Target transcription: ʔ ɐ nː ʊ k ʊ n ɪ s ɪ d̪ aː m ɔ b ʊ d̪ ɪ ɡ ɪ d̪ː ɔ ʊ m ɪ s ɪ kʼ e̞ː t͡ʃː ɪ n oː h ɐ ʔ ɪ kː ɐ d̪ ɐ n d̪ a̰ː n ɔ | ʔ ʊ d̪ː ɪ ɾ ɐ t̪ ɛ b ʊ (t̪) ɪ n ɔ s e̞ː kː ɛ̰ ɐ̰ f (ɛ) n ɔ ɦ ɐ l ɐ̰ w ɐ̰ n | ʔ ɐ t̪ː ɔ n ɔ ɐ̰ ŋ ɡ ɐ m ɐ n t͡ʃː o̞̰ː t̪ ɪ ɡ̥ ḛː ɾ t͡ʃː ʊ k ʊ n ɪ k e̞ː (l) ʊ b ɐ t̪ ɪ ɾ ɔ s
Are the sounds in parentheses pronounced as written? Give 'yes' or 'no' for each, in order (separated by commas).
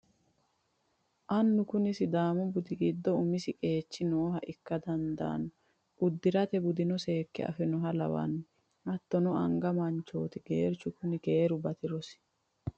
no, yes, no